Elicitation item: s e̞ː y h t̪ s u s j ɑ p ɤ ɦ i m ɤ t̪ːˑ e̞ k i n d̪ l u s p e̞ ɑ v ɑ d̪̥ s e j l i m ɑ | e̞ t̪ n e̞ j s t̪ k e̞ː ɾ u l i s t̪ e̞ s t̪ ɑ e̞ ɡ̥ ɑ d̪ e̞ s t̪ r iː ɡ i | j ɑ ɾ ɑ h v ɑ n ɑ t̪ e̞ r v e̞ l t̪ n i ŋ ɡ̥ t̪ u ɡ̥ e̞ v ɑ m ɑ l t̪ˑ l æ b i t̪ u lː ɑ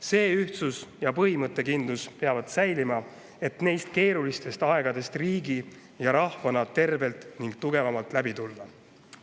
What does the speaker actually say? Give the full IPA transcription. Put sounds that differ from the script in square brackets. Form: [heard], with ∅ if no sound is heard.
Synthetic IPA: s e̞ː y h t̪ s u s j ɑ p ɤ ɦ i m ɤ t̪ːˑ e̞ k i n d̪ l u s p e̞ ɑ v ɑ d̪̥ s [æ] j l i m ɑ | e̞ t̪ n e̞ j s t̪ k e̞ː ɾ u l i s t̪ e̞ s t̪ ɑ e̞ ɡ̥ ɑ d̪ e̞ s t̪ r iː ɡ i | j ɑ ɾ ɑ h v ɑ n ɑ t̪ e̞ r v e̞ l t̪ n i ŋ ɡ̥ t̪ u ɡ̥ e̞ v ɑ m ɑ l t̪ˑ l æ b i t̪ u lː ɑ